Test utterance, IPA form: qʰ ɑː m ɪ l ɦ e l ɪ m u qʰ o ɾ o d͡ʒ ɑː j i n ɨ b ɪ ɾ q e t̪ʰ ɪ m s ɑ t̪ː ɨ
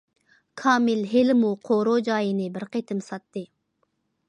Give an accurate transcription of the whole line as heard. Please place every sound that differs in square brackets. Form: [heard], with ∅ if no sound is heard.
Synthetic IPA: [kʰ] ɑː m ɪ l ɦ e l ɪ m u qʰ o ɾ o d͡ʒ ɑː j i n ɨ b ɪ ɾ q e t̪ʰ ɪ m s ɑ t̪ː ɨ